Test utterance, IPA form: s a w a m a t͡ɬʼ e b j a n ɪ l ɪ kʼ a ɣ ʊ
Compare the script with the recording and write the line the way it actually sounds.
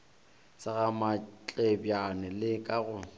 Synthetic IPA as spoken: s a ɣ a m a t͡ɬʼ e b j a n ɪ l ɪ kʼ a ɣ ʊ